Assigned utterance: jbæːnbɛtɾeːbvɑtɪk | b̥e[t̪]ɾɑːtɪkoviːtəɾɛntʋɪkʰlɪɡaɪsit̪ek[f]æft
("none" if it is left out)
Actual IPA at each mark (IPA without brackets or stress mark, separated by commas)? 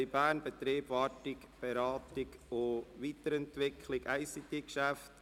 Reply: none, ʃ